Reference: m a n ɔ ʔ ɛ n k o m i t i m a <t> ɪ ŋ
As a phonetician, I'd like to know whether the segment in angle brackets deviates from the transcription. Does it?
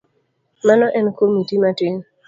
no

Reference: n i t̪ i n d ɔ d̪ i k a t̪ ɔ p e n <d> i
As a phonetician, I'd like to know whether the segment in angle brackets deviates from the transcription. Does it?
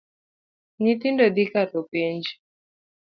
yes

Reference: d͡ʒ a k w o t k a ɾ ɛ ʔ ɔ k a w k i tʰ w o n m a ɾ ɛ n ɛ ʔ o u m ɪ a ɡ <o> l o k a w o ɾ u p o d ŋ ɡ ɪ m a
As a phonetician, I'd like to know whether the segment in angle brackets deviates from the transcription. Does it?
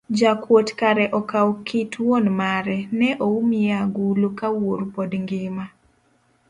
yes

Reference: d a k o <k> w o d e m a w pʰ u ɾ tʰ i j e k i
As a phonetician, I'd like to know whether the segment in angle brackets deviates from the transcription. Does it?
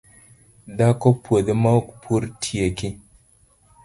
yes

